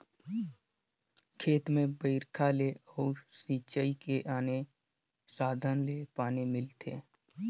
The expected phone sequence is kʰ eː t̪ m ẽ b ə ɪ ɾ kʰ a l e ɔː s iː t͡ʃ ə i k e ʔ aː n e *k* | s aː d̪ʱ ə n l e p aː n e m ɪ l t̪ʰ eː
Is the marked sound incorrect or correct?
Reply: incorrect: none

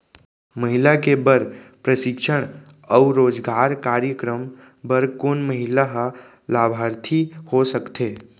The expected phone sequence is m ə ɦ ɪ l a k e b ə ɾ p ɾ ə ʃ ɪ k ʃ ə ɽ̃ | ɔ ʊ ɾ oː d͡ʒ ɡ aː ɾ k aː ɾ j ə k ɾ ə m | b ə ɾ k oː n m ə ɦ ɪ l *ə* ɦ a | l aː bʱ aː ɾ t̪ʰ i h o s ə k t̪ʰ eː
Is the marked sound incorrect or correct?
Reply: incorrect: a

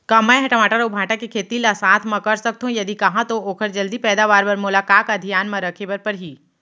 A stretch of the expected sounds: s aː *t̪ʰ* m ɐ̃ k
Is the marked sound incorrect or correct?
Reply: correct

